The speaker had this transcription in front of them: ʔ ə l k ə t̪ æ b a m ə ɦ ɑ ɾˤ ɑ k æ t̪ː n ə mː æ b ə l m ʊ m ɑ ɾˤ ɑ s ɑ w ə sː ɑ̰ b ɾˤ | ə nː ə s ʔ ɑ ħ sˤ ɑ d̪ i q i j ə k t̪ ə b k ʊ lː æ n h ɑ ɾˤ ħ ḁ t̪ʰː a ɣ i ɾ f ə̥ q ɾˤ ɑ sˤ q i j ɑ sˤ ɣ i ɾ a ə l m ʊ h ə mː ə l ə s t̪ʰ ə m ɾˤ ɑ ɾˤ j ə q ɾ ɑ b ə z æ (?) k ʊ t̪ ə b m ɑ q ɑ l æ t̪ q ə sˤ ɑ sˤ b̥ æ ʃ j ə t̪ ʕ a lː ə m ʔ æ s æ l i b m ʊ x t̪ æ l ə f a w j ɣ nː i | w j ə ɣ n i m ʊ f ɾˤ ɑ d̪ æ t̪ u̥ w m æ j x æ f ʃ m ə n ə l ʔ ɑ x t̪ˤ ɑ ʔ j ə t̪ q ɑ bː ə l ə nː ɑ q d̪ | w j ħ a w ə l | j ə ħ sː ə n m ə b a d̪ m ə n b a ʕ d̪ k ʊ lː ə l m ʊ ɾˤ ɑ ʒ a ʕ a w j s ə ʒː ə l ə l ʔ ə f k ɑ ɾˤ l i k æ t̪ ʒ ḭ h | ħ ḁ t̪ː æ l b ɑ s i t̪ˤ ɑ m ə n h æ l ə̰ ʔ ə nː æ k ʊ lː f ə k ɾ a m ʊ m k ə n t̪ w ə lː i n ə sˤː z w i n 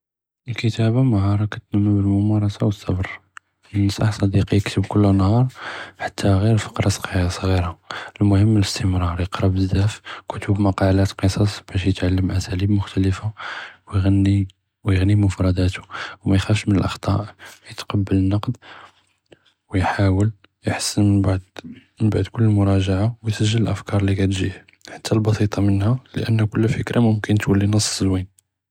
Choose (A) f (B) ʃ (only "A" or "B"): A